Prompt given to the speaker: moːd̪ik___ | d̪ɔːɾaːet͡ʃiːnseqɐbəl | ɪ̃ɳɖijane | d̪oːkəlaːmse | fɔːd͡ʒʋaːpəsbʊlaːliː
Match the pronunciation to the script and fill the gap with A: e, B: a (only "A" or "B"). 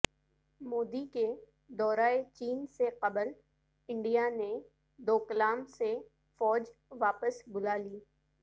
A